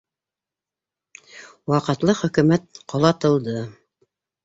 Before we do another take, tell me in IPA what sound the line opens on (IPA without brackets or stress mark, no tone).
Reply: w